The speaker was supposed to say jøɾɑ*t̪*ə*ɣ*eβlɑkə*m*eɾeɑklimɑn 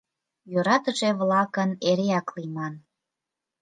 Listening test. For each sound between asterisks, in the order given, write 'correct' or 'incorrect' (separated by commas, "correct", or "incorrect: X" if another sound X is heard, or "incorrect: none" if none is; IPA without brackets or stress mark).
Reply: correct, incorrect: ʒ, incorrect: n